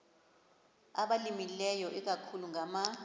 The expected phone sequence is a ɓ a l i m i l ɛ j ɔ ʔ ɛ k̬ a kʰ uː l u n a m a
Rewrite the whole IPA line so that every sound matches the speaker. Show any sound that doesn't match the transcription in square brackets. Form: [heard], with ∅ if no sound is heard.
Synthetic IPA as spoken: a ɓ a l i m i l ɛ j ɔ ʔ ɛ k̬ a kʰ [u] l u [ŋ] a m a